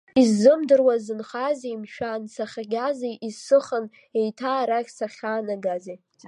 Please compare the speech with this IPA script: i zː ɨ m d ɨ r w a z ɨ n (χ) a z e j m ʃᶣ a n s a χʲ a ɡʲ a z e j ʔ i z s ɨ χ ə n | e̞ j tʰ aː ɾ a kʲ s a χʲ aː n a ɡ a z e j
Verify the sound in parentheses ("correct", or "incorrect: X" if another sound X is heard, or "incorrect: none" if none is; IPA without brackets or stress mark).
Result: correct